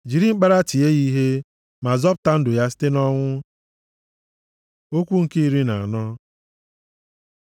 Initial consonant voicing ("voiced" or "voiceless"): voiced